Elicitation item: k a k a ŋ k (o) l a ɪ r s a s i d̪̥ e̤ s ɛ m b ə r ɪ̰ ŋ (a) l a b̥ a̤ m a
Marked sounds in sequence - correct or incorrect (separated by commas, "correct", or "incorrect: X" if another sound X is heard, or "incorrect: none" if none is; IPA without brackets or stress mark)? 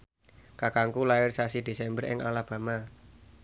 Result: incorrect: u, correct